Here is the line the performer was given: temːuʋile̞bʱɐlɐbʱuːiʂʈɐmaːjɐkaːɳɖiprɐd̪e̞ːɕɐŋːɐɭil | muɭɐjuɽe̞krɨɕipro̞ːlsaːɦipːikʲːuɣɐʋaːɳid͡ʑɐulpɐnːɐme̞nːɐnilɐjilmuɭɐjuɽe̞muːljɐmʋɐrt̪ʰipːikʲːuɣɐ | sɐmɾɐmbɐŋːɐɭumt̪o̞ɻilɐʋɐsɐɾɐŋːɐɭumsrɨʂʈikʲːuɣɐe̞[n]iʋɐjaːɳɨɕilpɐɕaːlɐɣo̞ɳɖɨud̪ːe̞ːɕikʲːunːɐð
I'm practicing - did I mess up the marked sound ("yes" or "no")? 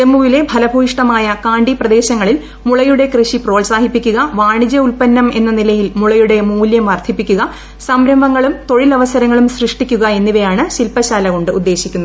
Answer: yes